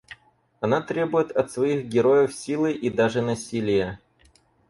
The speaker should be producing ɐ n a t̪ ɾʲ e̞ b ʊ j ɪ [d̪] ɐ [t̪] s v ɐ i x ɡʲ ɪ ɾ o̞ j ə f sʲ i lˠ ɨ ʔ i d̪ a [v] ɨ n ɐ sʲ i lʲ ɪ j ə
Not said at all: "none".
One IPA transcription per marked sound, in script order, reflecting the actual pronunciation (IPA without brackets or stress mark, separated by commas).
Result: t̪, t̪, ʐ